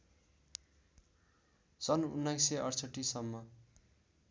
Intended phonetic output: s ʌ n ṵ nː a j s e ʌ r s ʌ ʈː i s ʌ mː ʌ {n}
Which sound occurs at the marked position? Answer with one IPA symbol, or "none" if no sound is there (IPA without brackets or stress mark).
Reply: none